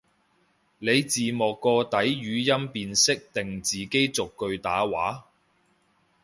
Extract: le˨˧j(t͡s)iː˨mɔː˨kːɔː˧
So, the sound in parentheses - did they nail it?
yes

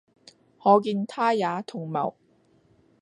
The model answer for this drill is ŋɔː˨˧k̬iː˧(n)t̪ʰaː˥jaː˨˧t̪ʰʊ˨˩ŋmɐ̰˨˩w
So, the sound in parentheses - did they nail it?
yes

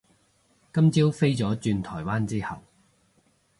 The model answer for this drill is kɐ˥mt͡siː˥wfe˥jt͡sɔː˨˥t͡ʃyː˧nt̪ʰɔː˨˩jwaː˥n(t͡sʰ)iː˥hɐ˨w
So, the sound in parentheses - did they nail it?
no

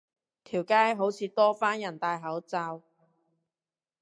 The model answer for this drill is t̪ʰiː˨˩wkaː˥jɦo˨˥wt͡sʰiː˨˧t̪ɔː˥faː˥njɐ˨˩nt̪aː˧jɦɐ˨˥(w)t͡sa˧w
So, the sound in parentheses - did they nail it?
yes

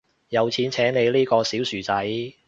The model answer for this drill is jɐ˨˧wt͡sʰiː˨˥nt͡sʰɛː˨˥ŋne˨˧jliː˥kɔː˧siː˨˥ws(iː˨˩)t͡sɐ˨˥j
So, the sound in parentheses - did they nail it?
no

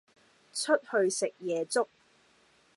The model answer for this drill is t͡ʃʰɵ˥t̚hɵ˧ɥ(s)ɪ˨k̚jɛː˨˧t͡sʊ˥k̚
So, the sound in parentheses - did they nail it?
yes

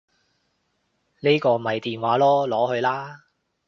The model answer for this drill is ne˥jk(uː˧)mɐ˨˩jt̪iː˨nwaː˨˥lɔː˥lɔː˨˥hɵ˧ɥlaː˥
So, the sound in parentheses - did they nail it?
no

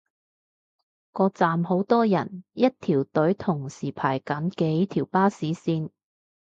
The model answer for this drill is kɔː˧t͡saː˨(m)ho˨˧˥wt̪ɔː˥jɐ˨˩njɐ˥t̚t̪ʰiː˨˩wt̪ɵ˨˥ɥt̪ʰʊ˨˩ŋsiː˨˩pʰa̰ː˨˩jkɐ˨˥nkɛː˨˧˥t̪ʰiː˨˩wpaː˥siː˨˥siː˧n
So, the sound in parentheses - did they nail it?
yes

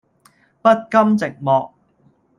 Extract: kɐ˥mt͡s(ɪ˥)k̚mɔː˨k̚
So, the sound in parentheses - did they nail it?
no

